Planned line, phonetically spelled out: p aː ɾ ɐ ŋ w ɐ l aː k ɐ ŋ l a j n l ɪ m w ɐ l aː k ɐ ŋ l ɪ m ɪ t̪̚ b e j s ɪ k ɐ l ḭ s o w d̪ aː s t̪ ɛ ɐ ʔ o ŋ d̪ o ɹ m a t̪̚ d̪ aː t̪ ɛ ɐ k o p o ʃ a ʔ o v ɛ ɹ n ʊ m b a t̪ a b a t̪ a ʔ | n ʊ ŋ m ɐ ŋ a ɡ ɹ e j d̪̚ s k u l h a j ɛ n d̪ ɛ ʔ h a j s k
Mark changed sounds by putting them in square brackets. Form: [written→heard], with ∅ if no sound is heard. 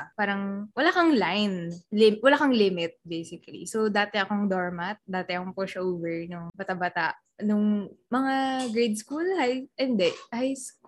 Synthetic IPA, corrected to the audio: p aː ɾ ɐ ŋ w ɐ l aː k ɐ ŋ l a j n l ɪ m w ɐ l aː k ɐ ŋ l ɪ m ɪ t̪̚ b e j s ɪ k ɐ l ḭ s o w d̪ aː [s→∅] t̪ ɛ ɐ [ʔ→k] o ŋ d̪ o ɹ m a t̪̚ d̪ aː t̪ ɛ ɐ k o p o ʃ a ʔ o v ɛ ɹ n ʊ [m→ŋ] b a t̪ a b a t̪ a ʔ | n ʊ ŋ m ɐ ŋ a ɡ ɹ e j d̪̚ s k u l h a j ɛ n d̪ ɛ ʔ h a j s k